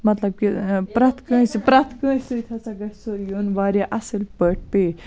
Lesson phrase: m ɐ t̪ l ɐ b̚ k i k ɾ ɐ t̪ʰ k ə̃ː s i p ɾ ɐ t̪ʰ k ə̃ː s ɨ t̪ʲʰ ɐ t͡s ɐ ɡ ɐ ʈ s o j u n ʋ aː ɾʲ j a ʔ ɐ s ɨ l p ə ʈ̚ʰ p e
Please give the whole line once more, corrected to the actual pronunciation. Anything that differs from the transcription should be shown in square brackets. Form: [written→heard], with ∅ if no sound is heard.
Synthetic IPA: m ɐ t̪ l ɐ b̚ k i [k→p] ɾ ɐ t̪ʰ k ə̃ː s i p ɾ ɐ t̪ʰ k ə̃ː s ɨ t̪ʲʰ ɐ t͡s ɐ ɡ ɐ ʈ s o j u n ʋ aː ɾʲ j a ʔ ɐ s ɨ l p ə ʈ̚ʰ p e